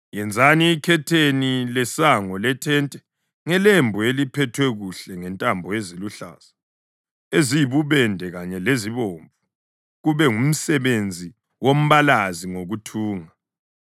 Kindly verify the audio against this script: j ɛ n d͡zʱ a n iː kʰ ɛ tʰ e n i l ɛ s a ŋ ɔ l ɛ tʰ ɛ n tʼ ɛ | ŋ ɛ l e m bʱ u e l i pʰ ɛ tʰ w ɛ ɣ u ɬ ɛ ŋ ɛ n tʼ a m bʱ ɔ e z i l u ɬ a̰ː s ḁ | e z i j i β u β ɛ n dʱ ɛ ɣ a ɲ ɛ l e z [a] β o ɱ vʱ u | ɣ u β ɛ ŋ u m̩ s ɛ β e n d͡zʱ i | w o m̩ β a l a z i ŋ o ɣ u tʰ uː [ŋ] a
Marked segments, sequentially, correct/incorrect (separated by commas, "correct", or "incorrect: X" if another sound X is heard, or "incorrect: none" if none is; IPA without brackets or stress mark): incorrect: i, correct